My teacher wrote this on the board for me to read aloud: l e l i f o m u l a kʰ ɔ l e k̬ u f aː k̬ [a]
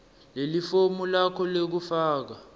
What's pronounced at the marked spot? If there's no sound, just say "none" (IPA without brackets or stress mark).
a